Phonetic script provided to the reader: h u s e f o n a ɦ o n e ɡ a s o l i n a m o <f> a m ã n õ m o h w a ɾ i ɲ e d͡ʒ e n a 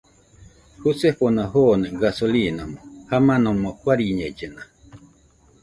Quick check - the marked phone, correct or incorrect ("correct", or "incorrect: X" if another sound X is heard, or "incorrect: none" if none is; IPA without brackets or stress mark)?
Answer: incorrect: h